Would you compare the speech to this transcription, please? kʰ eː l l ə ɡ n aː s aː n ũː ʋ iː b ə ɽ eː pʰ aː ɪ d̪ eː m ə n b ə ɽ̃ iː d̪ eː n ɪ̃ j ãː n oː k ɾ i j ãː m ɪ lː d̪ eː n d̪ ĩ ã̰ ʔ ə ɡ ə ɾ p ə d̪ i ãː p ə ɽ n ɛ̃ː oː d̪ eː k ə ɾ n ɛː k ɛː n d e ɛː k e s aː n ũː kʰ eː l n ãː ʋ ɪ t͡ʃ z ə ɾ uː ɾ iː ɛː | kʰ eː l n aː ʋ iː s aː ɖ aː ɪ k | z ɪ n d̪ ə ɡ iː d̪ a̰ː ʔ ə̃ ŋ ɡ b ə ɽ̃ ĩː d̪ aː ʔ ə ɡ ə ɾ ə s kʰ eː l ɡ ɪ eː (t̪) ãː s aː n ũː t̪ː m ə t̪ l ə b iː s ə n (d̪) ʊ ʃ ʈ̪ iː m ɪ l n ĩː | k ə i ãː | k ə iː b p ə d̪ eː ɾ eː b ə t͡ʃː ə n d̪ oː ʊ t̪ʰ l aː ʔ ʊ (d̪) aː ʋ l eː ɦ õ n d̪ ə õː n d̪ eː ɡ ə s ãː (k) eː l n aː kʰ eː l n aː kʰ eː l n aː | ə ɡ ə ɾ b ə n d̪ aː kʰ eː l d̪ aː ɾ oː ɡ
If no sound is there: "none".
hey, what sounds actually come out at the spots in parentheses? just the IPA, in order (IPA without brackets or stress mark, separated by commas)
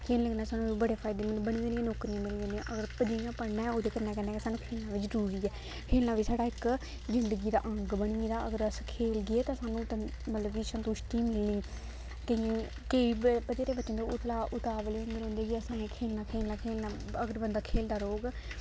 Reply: t̪, t̪, t̪, kʰ